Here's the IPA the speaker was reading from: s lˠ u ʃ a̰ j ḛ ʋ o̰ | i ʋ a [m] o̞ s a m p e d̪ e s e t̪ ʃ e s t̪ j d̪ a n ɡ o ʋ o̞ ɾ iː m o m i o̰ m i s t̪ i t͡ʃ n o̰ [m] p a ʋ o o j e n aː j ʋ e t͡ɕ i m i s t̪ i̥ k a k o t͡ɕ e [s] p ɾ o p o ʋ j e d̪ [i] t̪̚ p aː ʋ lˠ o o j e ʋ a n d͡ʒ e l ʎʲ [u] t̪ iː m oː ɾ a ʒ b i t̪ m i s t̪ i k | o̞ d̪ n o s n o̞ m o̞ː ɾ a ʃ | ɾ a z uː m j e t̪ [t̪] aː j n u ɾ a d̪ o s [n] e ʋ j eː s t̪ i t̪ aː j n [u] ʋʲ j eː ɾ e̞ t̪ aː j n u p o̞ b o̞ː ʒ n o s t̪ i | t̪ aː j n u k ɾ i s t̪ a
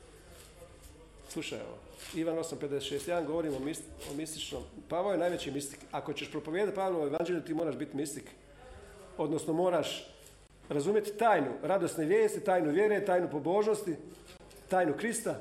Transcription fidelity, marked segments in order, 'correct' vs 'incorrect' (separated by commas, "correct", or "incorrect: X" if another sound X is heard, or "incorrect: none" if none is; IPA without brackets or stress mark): incorrect: n, correct, incorrect: ʃ, incorrect: a, correct, correct, correct, correct